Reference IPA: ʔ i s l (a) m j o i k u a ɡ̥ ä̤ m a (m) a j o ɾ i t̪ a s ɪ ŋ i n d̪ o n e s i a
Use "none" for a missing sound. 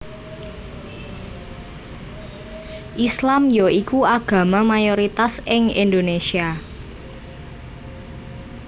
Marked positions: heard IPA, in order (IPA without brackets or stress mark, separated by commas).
a, m